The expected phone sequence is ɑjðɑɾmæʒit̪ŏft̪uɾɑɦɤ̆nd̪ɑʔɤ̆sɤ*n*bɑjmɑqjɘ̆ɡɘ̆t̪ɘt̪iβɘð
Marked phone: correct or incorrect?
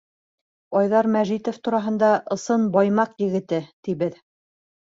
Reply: correct